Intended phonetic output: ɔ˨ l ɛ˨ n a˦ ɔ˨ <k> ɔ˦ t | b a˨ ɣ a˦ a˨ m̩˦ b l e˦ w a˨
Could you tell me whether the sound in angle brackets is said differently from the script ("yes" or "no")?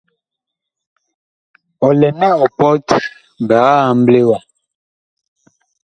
yes